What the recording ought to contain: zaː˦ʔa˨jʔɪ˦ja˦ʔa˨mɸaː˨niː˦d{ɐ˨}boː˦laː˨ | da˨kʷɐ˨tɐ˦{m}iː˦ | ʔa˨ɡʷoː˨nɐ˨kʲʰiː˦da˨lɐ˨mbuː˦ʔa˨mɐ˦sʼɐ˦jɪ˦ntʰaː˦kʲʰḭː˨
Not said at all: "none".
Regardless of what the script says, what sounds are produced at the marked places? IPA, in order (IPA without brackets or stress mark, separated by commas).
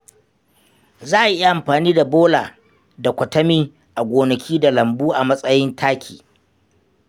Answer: a˨, m